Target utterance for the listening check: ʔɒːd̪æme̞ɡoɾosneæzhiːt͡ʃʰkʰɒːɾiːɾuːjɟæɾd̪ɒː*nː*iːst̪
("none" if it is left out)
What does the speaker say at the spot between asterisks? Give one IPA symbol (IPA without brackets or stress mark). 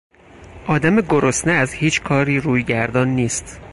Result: nː